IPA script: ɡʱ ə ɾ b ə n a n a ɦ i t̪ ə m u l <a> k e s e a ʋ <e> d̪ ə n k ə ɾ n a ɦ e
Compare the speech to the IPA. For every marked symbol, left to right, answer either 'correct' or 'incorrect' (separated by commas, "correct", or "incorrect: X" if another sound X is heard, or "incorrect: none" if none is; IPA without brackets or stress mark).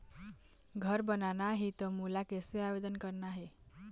correct, correct